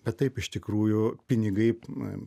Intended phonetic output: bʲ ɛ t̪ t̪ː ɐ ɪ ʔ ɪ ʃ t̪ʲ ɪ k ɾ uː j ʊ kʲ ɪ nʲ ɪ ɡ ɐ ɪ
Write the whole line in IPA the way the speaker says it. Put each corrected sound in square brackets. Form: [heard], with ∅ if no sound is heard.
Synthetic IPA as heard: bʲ ɛ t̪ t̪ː ɐ ɪ [p] ɪ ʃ t̪ʲ ɪ k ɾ uː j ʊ [pʲ] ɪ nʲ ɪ ɡ ɐ ɪ

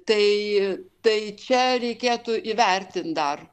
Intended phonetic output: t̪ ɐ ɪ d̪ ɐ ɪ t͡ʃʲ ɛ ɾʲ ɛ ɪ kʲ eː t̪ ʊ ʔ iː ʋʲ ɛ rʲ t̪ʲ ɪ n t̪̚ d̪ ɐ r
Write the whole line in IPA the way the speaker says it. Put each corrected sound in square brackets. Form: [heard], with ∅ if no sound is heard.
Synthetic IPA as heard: t̪ ɐ ɪ [t̪] ɐ ɪ t͡ʃʲ ɛ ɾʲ ɛ ɪ kʲ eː t̪ ʊ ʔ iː ʋʲ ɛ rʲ t̪ʲ ɪ n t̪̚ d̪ ɐ r

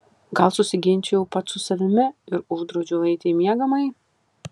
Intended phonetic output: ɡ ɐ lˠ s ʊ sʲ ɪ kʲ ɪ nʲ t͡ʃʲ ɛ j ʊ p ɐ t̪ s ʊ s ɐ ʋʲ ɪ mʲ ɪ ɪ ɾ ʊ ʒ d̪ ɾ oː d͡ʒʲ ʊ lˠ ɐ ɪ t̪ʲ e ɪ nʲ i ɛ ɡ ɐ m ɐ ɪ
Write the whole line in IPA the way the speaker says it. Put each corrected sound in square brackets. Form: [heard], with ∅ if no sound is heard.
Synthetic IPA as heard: ɡ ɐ lˠ s ʊ sʲ ɪ [ɡʲ] ɪ nʲ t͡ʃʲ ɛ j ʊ p ɐ t̪ s ʊ s ɐ ʋʲ ɪ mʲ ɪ ɪ ɾ ʊ ʒ d̪ ɾ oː d͡ʒʲ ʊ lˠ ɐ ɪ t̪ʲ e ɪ [mʲ] i ɛ ɡ ɐ m ɐ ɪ

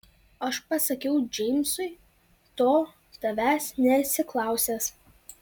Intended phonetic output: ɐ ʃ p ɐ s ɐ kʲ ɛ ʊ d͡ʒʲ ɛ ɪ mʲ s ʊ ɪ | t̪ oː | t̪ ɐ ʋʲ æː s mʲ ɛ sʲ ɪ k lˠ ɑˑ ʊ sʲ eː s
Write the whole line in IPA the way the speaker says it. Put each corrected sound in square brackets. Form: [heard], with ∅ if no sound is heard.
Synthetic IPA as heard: ɐ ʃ p ɐ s ɐ kʲ ɛ ʊ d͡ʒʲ ɛ ɪ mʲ s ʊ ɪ | t̪ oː | t̪ ɐ ʋʲ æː s [nʲ] ɛ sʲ ɪ k lˠ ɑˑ ʊ sʲ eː s

